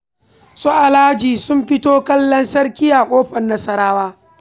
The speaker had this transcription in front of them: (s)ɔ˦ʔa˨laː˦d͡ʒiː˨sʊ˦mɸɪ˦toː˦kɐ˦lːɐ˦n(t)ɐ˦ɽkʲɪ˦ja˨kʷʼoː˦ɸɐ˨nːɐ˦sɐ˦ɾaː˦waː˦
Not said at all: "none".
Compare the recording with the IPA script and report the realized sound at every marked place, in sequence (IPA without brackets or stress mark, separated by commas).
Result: s, s